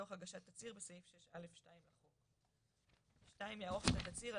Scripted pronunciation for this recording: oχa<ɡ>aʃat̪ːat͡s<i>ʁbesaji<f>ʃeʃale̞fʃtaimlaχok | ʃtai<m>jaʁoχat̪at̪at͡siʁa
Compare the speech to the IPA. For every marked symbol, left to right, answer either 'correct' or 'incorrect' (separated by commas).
correct, correct, correct, correct